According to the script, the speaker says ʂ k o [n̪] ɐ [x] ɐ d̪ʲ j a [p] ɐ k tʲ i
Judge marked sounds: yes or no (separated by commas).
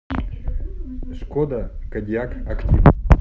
no, no, no